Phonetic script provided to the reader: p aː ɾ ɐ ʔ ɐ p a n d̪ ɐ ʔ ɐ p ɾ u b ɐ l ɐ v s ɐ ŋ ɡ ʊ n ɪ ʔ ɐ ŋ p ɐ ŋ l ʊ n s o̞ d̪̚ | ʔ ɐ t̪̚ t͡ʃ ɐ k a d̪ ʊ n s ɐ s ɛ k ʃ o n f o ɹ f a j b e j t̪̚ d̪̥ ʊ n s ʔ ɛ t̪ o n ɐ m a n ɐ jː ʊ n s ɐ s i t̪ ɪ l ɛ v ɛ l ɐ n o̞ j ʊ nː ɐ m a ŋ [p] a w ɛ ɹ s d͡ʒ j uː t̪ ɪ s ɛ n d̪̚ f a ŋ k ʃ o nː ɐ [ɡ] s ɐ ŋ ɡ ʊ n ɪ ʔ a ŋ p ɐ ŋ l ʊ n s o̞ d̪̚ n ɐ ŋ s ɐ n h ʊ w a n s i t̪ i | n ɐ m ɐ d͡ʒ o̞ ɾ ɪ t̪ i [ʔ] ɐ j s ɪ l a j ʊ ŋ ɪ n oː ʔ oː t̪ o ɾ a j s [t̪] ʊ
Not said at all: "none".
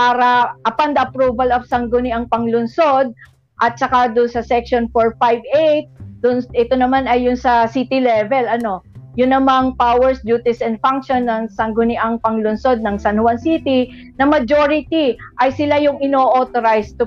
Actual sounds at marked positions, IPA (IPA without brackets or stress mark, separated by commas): p, ŋ, ʔ, t̪